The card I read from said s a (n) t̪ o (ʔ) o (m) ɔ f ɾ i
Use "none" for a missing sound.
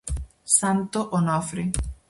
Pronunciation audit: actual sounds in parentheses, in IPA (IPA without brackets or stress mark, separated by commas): n, ʔ, n